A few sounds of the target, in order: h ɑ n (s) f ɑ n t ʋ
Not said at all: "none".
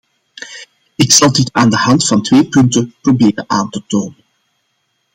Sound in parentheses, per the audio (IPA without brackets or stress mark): t